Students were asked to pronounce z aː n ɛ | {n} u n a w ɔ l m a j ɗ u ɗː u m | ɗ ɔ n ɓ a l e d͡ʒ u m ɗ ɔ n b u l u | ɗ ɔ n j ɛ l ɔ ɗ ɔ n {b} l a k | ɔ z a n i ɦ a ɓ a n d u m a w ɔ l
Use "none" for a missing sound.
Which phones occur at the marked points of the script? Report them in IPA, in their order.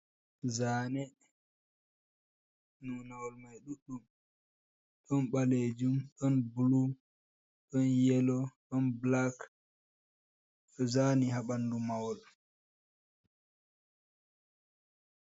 n, b

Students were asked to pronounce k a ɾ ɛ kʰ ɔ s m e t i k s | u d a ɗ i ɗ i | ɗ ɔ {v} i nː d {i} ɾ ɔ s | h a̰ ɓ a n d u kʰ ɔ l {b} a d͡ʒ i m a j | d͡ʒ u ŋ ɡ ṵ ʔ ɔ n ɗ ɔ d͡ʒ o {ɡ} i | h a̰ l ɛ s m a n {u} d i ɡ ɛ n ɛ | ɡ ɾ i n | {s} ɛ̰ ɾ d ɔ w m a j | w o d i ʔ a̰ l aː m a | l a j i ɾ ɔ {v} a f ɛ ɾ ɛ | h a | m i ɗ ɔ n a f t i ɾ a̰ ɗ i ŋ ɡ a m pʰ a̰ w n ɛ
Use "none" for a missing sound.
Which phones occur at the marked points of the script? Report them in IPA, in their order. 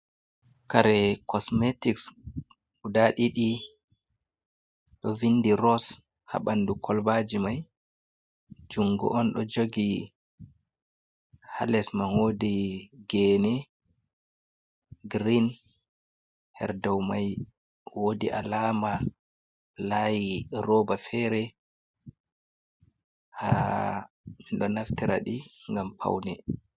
v, i, b, ɡ, o, h, b

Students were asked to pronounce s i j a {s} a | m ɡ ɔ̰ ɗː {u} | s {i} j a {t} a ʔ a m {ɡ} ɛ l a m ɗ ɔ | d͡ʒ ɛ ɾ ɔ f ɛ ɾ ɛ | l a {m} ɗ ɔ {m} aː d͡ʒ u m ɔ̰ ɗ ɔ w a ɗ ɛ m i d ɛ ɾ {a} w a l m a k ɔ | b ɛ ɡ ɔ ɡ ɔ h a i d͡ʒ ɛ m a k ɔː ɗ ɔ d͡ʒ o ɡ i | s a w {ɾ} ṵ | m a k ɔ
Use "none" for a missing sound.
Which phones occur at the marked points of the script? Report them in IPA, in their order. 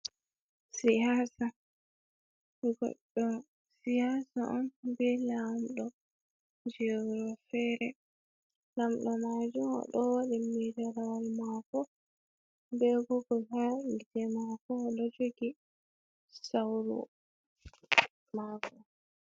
s, ɔ, i, s, b, m, m, a, ɾ

